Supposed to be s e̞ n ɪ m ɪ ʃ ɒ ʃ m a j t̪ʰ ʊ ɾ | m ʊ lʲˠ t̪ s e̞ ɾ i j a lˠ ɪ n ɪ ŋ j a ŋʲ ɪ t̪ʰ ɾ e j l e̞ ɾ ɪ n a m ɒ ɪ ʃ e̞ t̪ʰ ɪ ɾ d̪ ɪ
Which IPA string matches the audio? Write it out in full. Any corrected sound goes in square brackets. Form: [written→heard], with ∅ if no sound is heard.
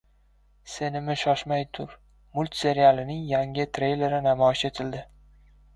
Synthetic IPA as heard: s e̞ n ɪ m ɪ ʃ ɒ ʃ m a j t̪ʰ ʊ ɾ | m ʊ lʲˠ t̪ s e̞ ɾ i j a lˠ ɪ n ɪ ŋ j a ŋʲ ɪ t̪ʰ ɾ e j l e̞ ɾ ɪ n a m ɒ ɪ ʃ e̞ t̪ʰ ɪ [ɾ→l] d̪ ɪ